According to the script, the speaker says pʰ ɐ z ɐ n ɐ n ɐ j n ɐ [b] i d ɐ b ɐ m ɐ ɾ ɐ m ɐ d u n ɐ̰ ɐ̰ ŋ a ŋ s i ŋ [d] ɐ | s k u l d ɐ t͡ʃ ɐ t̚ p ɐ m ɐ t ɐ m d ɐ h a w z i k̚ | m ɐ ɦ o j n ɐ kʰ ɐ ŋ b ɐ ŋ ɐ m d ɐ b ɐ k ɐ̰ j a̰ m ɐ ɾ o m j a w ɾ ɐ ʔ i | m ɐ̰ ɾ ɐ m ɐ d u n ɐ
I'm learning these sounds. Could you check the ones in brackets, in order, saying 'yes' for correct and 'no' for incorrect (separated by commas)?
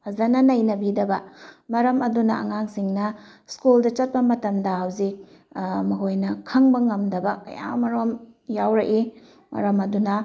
yes, no